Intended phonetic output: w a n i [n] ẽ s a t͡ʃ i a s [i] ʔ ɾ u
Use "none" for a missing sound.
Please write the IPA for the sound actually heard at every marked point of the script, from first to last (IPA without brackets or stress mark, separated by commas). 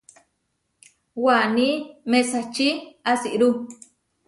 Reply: m, i